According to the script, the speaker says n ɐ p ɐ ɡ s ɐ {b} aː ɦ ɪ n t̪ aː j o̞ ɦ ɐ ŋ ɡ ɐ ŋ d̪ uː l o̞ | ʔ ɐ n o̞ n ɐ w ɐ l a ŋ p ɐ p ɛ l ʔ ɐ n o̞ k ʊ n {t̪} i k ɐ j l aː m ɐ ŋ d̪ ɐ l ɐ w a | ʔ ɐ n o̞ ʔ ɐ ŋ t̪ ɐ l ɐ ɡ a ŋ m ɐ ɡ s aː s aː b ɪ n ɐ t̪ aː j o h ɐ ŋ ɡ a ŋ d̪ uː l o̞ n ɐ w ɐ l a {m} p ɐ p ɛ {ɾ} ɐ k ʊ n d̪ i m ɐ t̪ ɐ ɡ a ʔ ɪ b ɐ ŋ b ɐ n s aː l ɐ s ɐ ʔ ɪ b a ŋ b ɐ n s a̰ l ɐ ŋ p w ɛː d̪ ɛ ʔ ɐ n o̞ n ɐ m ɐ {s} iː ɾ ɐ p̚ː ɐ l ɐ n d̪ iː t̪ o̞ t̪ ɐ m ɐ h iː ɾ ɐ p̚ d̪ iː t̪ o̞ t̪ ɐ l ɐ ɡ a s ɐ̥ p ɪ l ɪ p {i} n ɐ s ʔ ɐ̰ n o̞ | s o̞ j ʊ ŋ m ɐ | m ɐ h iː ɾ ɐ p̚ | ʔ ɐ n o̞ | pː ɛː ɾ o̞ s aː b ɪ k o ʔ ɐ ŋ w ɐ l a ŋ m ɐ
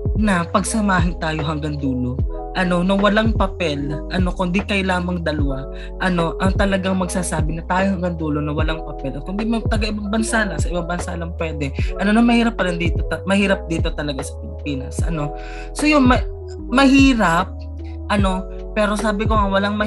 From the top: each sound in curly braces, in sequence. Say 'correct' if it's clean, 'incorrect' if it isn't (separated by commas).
incorrect, incorrect, incorrect, incorrect, incorrect, incorrect